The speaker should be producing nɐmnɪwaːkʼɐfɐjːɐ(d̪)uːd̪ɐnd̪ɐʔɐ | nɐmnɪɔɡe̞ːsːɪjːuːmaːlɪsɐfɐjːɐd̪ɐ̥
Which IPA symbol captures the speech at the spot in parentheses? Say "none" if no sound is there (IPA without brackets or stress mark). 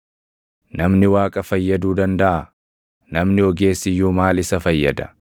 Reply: d̪